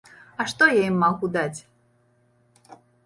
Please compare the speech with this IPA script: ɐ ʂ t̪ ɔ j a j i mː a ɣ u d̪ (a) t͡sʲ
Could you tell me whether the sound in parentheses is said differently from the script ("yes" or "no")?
no